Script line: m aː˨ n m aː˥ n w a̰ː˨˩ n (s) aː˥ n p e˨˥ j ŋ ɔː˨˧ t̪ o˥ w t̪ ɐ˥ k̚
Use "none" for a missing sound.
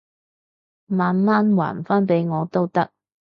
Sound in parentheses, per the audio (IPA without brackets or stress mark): f